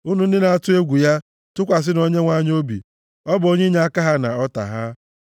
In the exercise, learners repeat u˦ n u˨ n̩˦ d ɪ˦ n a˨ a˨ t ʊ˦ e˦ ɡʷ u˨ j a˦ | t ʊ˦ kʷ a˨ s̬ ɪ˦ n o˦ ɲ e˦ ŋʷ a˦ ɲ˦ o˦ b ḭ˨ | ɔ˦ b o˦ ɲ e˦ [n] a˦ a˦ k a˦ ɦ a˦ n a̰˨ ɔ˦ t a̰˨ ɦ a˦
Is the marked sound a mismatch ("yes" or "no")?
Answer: yes